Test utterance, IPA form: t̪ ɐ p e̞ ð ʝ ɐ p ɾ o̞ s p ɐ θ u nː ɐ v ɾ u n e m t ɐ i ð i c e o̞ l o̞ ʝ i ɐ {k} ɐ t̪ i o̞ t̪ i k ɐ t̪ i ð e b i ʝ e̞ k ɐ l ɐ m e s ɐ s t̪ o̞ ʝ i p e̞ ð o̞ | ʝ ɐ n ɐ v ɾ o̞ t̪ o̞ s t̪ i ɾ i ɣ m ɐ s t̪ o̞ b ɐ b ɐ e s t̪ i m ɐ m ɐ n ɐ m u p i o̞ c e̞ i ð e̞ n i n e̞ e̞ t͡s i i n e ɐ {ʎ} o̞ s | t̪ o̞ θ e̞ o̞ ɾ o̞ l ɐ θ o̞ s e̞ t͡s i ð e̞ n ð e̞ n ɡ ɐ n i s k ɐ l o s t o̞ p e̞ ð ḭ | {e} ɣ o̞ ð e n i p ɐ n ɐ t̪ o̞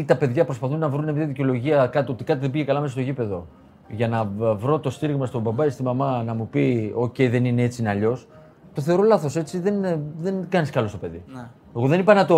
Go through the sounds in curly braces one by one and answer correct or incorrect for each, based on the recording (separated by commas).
correct, correct, correct